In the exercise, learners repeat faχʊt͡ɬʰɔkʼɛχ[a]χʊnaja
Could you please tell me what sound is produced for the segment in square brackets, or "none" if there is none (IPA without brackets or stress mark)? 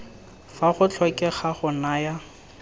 a